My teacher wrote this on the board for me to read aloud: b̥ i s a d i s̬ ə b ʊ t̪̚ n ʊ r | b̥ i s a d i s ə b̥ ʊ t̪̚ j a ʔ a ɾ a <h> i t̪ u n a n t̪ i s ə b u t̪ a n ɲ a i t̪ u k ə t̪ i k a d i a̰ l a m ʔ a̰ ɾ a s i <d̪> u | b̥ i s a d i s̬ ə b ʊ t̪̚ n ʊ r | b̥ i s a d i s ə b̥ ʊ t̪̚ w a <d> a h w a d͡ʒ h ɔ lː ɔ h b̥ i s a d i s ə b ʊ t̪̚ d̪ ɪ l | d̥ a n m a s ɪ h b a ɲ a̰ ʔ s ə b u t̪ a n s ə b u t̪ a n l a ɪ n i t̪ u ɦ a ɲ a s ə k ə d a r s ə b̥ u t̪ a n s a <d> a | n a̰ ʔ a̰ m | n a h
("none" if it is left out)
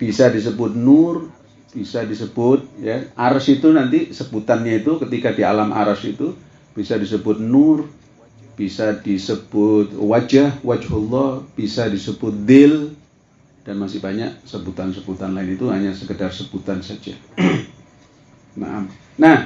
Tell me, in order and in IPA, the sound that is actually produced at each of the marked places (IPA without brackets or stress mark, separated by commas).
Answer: s, t̪, d͡ʒ, d͡ʒ